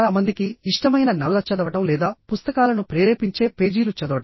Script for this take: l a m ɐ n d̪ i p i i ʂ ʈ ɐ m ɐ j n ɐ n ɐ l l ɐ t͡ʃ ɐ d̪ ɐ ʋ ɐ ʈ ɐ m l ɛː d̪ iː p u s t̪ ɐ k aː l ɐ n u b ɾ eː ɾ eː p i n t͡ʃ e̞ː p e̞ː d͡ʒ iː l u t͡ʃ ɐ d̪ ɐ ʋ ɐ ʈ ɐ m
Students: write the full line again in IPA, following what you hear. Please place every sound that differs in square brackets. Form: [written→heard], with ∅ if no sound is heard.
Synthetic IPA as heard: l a m ɐ n d̪ i [p→k] i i ʂ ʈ ɐ m ɐ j n ɐ n ɐ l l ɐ t͡ʃ ɐ d̪ ɐ ʋ ɐ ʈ ɐ m l ɛː d̪ [iː→aː] p u s t̪ ɐ k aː l ɐ n u [b→p] ɾ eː ɾ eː p i [n→ɲ] t͡ʃ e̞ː p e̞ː d͡ʒ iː l u t͡ʃ ɐ d̪ ɐ ʋ ɐ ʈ ɐ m

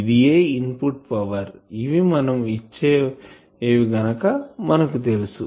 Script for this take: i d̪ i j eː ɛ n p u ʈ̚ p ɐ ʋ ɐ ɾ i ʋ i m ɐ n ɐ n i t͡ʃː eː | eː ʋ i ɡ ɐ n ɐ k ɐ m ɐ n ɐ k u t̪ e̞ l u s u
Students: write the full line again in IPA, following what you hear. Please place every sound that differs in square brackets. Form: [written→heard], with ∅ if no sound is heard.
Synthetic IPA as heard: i d̪ i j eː [ɛ→i] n p u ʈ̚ p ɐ ʋ ɐ ɾ i ʋ i m ɐ n ɐ [n→m] i t͡ʃː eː | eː ʋ i ɡ ɐ n ɐ k ɐ m ɐ n ɐ k u t̪ e̞ l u s u

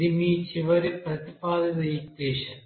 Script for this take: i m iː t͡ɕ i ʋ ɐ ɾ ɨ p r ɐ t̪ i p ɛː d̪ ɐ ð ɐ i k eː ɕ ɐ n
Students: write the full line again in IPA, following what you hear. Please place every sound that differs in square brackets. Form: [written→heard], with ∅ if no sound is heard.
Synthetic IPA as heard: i m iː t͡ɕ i ʋ ɐ ɾ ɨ p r ɐ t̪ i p [ɛː→aː] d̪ ɐ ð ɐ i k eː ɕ ɐ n

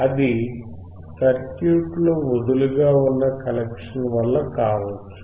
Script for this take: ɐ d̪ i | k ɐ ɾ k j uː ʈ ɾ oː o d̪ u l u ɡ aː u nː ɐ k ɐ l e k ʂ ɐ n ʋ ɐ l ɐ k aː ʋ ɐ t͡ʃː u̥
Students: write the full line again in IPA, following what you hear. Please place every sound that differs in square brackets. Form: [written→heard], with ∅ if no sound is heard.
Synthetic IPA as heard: ɐ d̪ i | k ɐ ɾ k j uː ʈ [ɾ→l] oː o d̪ u l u ɡ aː u nː ɐ k ɐ l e k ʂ ɐ n ʋ ɐ [l→lː] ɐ k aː ʋ ɐ t͡ʃː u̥

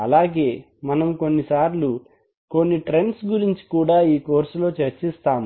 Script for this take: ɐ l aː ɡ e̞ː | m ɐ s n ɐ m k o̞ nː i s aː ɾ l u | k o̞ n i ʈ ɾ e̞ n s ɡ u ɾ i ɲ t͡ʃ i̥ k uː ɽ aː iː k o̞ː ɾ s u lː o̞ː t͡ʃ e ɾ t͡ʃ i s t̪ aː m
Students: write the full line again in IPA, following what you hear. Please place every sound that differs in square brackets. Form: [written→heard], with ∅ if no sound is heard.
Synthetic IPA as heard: ɐ l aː ɡ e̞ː | m ɐ [s→∅] n ɐ m k o̞ nː i s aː ɾ l u | k o̞ [n→nː] i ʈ ɾ e̞ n s ɡ u ɾ i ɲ t͡ʃ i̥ k uː ɽ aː iː k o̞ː ɾ s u [lː→l] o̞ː t͡ʃ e ɾ t͡ʃ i s t̪ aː m

